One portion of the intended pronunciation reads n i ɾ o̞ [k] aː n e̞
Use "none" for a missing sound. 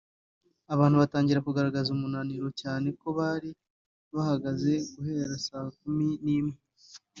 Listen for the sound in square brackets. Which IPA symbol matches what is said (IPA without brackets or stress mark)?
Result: c